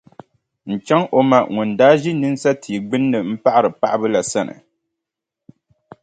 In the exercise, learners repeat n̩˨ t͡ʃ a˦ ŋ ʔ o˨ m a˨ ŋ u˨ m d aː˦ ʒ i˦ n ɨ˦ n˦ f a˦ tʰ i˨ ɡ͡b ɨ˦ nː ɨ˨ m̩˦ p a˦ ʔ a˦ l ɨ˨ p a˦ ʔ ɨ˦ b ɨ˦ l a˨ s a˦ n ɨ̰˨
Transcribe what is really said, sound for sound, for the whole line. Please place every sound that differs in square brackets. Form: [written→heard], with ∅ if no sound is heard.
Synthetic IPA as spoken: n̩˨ t͡ʃ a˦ ŋ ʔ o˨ m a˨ ŋ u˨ [m→n] d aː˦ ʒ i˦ n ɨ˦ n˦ [f→s] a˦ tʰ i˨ ɡ͡b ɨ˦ nː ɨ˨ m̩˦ p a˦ ʔ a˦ [l→ɾ] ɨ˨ p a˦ ʔ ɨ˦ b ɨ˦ l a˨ s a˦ n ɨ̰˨